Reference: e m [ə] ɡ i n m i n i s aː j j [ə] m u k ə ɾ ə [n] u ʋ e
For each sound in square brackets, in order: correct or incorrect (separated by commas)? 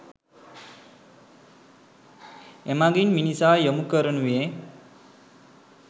incorrect, correct, correct